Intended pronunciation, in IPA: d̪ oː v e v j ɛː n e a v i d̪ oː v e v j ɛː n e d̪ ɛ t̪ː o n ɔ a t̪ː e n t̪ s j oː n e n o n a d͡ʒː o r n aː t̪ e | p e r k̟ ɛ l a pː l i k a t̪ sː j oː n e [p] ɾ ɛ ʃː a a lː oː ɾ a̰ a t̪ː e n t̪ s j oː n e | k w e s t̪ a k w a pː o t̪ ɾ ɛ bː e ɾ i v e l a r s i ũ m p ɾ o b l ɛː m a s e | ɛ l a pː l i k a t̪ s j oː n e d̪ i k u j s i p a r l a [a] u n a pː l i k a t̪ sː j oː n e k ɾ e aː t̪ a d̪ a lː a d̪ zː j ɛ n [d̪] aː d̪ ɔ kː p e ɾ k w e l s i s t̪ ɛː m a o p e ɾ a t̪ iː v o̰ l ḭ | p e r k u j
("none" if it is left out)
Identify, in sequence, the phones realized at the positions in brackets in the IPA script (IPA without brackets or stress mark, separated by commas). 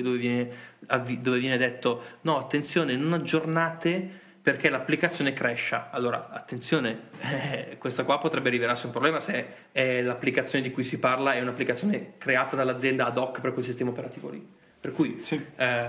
k, ɛ, d̪